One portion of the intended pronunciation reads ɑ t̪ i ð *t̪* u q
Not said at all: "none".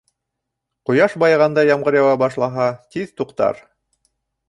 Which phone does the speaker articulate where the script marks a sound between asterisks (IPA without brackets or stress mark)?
t̪